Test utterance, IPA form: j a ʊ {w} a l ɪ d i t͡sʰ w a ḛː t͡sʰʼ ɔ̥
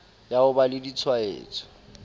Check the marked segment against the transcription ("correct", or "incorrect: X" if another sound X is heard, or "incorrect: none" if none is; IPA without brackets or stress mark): incorrect: b